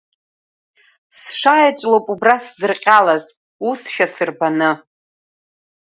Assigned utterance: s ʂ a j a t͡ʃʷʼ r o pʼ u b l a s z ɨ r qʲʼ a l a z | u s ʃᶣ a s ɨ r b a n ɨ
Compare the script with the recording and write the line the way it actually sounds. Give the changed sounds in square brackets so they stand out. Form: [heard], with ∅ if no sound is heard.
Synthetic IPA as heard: s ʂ a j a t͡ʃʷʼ [l] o pʼ u b [r] a s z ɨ r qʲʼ a l a z | u s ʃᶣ a s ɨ r b a n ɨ